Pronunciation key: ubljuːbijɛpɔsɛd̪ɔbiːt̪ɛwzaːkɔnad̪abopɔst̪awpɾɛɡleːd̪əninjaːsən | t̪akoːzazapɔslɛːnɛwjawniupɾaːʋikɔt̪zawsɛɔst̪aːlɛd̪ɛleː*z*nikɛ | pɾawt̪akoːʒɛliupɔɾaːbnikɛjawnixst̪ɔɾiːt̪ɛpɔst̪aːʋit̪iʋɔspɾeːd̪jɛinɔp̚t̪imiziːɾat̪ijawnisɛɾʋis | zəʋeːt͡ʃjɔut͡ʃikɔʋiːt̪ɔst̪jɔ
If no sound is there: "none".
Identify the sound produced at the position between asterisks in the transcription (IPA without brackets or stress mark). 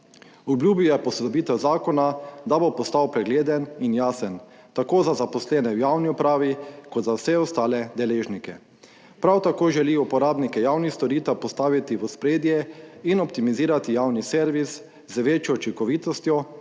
ʒ